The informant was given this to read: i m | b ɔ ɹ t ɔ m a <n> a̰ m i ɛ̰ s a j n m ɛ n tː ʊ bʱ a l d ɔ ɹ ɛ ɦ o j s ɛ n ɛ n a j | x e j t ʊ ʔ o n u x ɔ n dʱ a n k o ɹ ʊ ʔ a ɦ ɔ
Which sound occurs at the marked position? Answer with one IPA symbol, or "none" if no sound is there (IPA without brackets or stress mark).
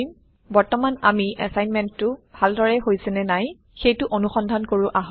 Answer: n